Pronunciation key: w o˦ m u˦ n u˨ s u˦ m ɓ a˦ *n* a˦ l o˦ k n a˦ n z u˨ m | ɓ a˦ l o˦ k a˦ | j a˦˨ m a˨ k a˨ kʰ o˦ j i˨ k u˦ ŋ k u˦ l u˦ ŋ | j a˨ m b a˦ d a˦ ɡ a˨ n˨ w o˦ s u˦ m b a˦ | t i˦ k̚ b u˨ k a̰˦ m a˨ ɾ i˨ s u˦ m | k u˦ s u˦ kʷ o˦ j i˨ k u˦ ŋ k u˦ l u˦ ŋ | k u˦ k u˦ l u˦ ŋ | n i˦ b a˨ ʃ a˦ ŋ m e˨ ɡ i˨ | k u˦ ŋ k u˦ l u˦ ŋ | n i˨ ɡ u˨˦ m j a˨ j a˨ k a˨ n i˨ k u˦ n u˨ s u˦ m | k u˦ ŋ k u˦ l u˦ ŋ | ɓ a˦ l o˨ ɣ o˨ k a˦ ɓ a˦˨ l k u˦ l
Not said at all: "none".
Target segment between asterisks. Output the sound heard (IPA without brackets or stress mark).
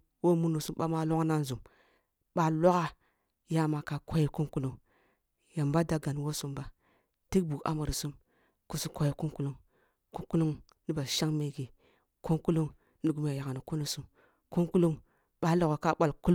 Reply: m